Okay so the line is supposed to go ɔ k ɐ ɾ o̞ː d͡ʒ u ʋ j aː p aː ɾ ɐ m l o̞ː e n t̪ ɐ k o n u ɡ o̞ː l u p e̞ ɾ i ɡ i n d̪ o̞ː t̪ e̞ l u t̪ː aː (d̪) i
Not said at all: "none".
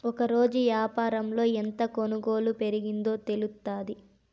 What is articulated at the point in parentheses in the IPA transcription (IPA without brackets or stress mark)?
d̪